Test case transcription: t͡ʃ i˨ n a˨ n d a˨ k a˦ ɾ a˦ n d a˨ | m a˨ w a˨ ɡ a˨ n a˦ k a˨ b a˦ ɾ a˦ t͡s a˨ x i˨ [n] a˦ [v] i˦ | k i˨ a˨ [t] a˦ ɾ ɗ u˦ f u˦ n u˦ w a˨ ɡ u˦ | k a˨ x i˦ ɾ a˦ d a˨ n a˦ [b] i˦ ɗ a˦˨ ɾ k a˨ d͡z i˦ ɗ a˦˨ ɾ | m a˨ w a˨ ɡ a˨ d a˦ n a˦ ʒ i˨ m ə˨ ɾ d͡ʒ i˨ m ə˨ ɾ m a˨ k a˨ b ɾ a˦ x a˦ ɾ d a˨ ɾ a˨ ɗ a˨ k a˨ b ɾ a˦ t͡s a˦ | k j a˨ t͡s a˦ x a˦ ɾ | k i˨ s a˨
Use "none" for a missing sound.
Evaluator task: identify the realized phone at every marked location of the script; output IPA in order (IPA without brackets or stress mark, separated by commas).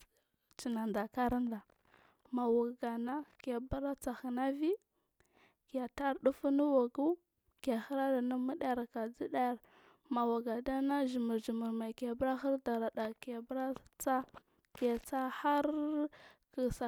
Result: n, v, t, m